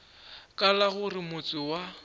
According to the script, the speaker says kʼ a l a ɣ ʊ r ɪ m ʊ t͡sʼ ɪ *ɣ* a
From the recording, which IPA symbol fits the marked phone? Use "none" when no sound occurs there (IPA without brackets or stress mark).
w